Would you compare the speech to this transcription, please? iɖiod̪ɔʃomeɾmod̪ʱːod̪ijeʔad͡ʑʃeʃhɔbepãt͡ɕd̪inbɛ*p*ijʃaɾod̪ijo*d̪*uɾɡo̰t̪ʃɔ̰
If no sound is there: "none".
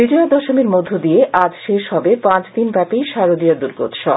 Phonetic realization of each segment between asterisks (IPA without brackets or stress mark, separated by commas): p, d̪